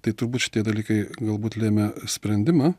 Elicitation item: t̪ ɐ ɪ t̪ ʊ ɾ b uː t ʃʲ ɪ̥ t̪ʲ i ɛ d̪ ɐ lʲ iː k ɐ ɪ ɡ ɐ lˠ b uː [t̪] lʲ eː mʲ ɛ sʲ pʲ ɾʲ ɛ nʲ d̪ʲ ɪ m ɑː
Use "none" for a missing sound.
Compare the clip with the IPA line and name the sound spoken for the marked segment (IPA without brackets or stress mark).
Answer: t̪